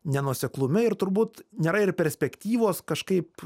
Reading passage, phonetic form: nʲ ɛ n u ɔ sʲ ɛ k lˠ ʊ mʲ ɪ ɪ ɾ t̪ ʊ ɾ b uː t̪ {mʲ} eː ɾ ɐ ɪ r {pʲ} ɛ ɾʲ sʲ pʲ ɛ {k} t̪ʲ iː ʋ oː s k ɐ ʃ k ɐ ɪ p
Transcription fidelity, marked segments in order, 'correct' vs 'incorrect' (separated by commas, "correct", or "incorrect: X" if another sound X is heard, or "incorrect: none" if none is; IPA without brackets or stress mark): incorrect: nʲ, correct, correct